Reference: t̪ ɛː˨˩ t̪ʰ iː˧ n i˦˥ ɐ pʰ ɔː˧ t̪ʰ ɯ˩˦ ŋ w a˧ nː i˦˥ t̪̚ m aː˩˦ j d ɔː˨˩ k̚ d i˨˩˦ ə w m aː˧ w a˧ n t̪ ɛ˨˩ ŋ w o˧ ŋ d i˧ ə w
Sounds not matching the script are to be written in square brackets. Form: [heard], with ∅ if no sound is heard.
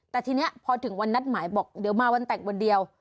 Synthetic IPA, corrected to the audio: t̪ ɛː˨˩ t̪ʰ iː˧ n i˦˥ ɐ pʰ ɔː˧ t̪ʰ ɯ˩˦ ŋ w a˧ nː [a˦˥] t̪̚ m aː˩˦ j [b] ɔː˨˩ k̚ d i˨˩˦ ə w m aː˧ w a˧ n t̪ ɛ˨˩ ŋ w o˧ [n] d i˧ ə w